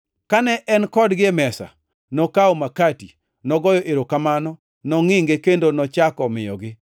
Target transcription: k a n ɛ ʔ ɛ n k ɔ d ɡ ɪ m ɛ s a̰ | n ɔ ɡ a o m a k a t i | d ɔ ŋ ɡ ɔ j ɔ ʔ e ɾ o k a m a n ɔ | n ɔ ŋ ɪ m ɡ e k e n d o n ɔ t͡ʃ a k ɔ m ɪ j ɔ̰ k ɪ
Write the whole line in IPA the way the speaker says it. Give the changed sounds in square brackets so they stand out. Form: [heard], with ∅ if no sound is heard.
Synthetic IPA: k a n ɛ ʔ ɛ n k ɔ d ɡ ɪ m ɛ s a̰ | n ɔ [k] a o m a k a t i | [n] ɔ [∅] ɡ ɔ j ɔ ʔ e ɾ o k a m a n ɔ | n ɔ ŋ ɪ [ŋ] ɡ e k e n d o n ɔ t͡ʃ a k ɔ m ɪ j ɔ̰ [ɡ] ɪ